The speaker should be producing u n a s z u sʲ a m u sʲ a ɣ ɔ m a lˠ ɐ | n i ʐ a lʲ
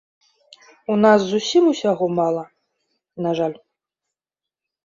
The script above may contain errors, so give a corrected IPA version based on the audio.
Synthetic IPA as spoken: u n a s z u sʲ i m u sʲ a ɣ ɔ m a lˠ ɐ | n a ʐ a lʲ